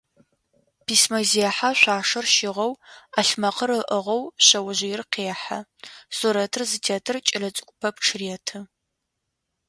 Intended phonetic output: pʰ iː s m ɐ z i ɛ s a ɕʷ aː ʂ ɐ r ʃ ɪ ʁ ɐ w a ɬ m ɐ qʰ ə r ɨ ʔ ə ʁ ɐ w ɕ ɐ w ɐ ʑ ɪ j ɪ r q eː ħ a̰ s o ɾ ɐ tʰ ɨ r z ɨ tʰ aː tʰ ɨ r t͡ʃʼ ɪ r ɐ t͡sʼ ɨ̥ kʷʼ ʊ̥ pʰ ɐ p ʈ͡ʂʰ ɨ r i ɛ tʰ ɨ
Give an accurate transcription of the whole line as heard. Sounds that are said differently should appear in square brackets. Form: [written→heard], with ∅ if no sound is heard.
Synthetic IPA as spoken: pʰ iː s m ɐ z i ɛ [s→ħ] a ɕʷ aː ʂ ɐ r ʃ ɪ ʁ ɐ w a ɬ m ɐ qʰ ə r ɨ ʔ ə ʁ ɐ w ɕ ɐ w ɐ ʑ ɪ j ɪ r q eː ħ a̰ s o ɾ ɐ tʰ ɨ r z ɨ tʰ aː tʰ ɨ r t͡ʃʼ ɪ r ɐ t͡sʼ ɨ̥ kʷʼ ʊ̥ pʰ ɐ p ʈ͡ʂʰ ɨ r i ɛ tʰ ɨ